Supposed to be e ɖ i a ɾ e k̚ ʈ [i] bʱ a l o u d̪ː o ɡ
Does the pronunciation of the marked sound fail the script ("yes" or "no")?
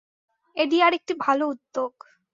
no